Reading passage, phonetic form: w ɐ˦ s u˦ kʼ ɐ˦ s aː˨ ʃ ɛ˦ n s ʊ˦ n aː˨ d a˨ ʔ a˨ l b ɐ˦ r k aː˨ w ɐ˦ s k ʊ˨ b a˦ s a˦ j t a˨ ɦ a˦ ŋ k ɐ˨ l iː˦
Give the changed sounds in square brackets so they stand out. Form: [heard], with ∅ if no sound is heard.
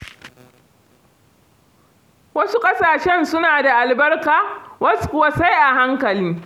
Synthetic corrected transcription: w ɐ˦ s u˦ kʼ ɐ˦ s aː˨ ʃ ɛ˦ n s ʊ˦ n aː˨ d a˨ ʔ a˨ l b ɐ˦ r k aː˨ w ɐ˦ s k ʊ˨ [w] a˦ s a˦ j [ʔ] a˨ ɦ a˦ ŋ k ɐ˨ l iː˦